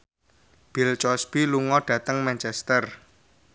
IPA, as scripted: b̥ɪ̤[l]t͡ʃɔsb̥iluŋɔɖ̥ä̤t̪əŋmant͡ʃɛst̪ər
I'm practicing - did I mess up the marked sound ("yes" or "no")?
no